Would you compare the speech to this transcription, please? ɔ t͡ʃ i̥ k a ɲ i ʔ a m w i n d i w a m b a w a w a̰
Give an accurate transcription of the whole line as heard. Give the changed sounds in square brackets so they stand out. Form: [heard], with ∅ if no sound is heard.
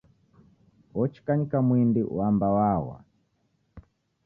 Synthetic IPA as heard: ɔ t͡ʃ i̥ k a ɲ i [k] a m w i n d i w a m b a w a w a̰